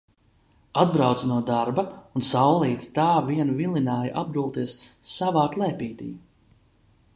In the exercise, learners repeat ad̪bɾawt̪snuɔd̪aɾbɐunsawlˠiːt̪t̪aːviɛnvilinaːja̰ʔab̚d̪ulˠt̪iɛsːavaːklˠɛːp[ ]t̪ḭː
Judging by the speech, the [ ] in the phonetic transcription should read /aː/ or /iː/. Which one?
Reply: iː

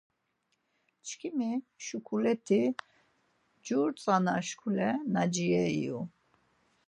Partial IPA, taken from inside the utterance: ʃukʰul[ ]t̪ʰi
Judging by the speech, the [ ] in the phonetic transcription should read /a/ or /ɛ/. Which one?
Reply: ɛ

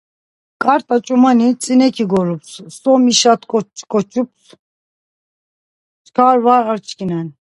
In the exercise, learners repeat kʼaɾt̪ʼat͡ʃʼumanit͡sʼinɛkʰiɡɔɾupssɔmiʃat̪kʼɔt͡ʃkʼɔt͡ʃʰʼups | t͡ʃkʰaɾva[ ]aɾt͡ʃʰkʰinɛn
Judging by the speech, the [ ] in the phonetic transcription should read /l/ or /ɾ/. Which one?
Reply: ɾ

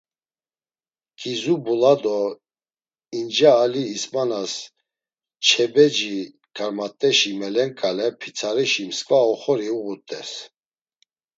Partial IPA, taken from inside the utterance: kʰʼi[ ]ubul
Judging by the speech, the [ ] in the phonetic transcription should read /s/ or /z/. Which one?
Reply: z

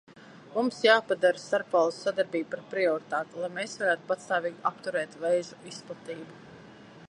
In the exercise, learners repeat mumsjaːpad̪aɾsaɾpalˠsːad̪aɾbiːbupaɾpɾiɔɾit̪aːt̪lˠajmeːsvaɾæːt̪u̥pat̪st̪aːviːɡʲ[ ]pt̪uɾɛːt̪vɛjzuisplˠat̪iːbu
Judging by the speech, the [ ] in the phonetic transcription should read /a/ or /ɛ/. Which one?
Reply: a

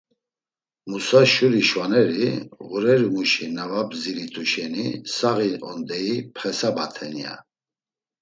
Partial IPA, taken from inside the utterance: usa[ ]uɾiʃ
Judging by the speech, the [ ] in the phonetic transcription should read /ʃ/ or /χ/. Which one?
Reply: ʃ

